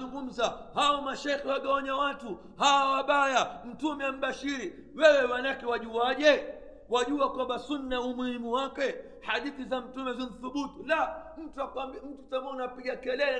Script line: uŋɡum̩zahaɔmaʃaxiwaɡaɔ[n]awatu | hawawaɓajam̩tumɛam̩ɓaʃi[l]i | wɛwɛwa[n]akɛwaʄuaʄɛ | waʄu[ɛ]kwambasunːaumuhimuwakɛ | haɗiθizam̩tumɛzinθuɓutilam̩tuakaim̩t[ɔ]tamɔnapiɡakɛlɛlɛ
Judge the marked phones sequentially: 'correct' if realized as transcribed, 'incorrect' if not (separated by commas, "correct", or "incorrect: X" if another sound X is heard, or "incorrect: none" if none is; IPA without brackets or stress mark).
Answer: incorrect: ɲ, incorrect: ɾ, correct, incorrect: a, incorrect: u